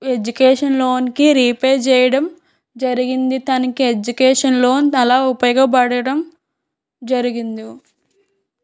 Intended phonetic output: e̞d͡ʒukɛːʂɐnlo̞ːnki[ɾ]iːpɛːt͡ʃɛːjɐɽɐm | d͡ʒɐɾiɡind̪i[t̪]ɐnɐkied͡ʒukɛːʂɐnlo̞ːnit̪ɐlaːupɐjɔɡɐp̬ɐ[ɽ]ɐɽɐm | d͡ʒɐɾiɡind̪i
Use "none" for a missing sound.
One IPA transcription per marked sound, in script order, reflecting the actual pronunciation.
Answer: ɾ, t̪, ɽ

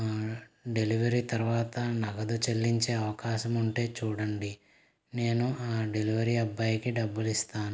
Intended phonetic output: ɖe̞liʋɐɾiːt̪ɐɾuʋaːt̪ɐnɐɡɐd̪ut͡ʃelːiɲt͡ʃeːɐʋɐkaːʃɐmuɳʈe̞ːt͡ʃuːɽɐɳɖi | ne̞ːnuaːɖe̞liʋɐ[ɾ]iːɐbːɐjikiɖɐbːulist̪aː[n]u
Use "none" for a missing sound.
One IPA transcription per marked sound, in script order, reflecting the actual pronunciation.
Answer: ɾ, n

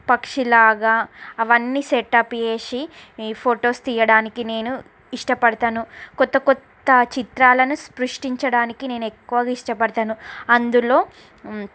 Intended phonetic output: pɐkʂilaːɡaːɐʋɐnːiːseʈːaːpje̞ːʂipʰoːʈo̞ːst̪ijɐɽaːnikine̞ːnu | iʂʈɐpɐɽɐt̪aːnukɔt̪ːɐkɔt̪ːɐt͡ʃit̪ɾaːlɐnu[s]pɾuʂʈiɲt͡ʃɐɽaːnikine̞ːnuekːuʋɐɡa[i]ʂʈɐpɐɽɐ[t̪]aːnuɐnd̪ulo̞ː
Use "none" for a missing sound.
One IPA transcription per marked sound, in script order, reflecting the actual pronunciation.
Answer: s, i, t̪

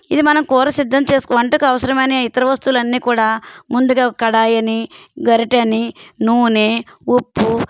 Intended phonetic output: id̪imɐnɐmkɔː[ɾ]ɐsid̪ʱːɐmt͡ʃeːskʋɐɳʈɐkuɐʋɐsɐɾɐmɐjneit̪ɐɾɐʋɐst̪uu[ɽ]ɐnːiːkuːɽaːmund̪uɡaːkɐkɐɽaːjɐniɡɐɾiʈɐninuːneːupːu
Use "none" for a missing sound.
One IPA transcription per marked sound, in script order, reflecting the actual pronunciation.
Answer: ɾ, l

